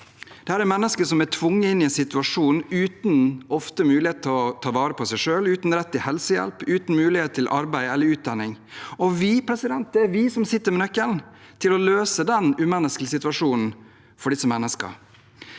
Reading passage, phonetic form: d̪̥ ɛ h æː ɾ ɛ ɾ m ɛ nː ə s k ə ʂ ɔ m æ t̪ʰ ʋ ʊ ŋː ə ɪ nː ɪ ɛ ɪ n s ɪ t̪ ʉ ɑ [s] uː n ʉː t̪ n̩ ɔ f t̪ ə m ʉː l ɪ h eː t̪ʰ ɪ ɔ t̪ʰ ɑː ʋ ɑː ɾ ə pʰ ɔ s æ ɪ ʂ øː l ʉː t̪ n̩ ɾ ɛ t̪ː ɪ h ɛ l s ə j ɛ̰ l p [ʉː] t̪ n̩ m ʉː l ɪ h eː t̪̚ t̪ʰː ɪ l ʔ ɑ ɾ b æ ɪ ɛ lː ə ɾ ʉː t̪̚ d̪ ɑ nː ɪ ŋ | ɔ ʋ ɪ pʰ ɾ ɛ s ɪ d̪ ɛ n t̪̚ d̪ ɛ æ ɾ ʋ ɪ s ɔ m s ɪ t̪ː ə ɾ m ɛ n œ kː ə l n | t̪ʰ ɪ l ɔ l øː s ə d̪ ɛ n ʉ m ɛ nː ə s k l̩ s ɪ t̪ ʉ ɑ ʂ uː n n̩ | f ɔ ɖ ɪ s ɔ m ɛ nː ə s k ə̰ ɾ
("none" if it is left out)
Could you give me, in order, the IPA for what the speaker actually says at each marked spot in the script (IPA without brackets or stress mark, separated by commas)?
ʂ, ʉː